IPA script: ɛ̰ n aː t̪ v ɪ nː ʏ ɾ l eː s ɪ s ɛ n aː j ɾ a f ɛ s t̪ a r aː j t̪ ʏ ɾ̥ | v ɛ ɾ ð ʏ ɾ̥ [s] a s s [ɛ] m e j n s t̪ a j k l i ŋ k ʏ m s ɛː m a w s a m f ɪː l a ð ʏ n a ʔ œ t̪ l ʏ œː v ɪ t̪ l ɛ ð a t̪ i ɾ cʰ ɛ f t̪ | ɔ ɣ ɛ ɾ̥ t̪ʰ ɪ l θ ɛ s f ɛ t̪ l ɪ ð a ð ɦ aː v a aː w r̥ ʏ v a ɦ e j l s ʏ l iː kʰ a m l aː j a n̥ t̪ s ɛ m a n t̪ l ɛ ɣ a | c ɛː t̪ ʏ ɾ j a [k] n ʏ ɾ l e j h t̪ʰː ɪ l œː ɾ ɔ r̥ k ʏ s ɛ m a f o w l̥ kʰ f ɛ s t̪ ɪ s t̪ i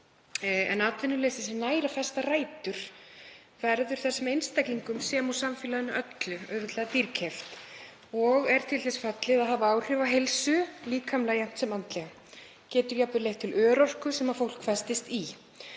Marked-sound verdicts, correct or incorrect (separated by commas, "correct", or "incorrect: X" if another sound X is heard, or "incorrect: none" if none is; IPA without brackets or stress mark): incorrect: θ, correct, incorrect: p